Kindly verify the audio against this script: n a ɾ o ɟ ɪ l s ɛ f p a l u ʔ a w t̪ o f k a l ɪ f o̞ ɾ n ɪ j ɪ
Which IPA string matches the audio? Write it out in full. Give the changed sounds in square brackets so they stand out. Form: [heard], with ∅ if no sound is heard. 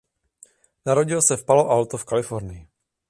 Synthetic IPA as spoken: n a ɾ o ɟ ɪ l s ɛ f p a l [o] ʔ a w t̪ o f k a l ɪ f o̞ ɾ n ɪ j ɪ